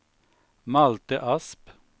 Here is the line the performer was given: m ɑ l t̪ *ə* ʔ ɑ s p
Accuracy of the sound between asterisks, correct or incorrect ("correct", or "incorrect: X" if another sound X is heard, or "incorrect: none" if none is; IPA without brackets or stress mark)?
correct